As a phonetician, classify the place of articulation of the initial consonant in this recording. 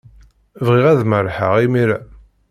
labial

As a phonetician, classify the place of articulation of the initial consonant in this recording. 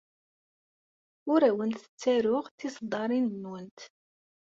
alveolar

